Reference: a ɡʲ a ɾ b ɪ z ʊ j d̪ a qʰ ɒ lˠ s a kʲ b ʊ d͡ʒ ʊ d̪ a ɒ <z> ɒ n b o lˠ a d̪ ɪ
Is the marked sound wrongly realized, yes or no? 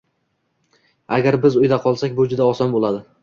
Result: yes